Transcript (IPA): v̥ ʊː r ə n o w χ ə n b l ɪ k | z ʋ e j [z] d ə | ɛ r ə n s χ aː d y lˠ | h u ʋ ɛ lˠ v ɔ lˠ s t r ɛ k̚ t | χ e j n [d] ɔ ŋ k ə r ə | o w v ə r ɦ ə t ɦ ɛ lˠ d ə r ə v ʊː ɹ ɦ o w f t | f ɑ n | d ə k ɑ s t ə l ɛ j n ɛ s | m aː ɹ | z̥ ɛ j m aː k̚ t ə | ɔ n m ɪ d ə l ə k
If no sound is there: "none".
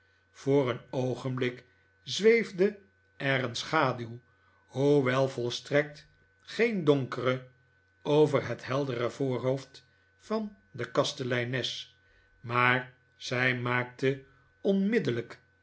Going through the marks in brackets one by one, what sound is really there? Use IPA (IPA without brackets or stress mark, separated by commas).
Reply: v, d